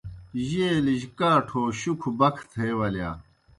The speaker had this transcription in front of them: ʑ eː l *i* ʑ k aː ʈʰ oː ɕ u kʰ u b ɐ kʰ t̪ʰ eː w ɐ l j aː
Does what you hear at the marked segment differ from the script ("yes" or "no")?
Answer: no